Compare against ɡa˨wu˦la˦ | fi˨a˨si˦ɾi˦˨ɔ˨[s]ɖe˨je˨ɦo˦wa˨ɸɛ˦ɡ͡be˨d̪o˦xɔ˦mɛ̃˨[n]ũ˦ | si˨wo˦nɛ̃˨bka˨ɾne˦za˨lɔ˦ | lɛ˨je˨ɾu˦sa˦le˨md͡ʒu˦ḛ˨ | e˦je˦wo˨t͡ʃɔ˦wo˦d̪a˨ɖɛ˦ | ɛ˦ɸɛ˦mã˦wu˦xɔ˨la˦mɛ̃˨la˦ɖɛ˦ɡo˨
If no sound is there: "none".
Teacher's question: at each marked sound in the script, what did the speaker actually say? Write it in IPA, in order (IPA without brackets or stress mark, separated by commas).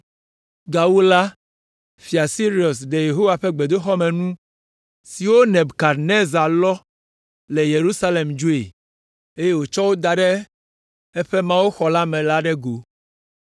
s, n